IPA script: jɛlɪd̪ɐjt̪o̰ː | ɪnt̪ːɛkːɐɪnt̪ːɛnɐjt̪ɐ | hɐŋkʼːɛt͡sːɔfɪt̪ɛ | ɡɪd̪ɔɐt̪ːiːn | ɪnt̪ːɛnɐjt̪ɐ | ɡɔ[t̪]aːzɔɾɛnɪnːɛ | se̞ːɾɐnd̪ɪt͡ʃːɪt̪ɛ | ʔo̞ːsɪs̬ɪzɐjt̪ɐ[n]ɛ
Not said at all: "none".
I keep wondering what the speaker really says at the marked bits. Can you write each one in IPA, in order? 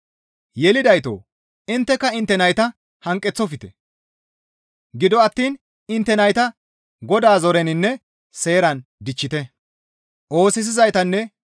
d̪, nː

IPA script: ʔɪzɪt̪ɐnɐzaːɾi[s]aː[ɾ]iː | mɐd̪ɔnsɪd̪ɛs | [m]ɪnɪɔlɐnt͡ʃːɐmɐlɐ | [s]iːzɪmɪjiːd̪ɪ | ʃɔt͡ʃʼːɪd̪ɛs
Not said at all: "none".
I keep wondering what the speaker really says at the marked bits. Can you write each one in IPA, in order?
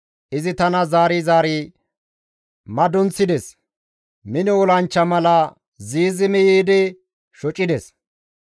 z, ɾ, m, z

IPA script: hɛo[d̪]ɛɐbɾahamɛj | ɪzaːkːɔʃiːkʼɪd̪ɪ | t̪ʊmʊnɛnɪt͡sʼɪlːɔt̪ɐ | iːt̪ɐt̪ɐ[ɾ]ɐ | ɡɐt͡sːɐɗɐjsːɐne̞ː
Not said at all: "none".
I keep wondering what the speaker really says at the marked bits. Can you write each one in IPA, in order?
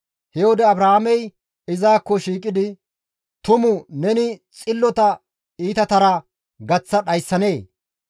d̪, ɾ

